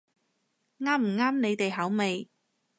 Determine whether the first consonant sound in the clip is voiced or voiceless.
voiced